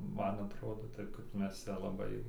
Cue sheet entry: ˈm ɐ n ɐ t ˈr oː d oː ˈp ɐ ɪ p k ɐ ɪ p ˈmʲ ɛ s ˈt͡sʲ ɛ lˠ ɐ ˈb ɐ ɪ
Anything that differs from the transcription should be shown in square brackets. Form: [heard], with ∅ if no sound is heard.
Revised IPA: ˈm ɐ n ɐ t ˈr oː d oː [ˈt] ɐ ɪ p k ɐ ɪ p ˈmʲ ɛ s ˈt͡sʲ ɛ lˠ ɐ ˈb ɐ ɪ

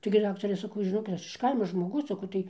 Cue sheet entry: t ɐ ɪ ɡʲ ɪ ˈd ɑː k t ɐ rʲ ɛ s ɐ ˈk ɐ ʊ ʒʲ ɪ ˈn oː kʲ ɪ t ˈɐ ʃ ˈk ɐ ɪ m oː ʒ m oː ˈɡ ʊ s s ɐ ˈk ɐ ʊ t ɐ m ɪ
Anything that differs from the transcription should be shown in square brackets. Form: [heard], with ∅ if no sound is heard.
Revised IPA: t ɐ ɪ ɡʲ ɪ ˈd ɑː k t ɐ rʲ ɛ s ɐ ˈk ɐ ʊ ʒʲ ɪ ˈn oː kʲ ɪ t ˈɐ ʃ ˈk ɐ ɪ m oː ʒ m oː ˈɡ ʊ s s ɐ ˈk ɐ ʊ t ɐ [∅] ɪ

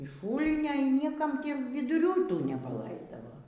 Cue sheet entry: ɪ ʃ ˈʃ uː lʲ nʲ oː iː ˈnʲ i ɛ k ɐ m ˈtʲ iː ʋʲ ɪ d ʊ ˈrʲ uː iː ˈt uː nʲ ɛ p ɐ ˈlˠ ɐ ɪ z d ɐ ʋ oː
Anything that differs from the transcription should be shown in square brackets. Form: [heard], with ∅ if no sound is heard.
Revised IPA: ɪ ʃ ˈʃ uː lʲ nʲ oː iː ˈnʲ i ɛ k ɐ m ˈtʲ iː ʋʲ ɪ d ʊ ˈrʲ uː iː ˈt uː nʲ ɛ p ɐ ˈlˠ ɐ ɪ z d ɐ ʋ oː

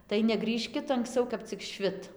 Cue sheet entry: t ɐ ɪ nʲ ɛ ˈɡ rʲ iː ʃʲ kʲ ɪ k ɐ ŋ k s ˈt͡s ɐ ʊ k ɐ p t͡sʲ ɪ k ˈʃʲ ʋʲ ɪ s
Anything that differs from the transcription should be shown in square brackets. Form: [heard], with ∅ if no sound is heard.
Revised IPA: t ɐ ɪ nʲ ɛ ˈɡ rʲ iː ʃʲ kʲ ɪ [t] ɐ ŋ k s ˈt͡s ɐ ʊ k ɐ p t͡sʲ ɪ k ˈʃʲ ʋʲ ɪ [t]

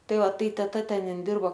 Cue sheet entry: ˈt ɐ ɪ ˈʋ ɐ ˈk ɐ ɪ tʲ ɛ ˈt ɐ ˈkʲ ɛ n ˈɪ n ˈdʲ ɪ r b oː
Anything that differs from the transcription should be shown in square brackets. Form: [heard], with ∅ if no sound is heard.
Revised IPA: ˈt ɐ ɪ ˈʋ ɐ [ˈt] ɐ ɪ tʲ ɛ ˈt ɐ [ˈtʲ] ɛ n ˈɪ n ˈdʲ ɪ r b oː

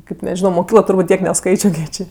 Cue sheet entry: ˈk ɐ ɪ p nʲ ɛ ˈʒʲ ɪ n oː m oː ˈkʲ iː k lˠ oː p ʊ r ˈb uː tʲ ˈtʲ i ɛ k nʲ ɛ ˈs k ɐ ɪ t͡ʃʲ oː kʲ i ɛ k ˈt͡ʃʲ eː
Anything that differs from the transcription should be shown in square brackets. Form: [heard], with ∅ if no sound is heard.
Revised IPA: ˈk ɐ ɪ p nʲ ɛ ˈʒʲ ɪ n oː m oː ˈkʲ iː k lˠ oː [t] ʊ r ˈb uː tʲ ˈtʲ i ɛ k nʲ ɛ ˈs k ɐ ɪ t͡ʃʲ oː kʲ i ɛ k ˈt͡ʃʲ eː

